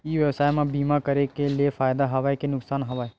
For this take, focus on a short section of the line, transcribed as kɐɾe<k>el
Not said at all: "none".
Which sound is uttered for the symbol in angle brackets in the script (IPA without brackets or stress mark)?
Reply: k